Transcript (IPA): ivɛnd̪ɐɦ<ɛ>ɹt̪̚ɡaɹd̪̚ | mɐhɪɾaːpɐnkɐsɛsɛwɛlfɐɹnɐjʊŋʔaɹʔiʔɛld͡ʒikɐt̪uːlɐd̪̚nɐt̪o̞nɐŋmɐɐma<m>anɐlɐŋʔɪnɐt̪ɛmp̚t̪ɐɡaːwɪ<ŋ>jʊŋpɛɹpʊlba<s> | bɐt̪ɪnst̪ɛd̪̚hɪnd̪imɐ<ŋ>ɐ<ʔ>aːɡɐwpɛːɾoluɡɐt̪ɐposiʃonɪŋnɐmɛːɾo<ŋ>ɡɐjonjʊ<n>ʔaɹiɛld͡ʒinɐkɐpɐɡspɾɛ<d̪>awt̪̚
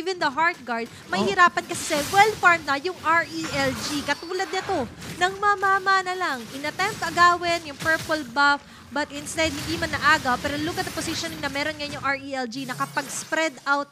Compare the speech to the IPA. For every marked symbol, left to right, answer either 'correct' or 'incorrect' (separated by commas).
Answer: incorrect, correct, incorrect, incorrect, incorrect, correct, incorrect, incorrect, correct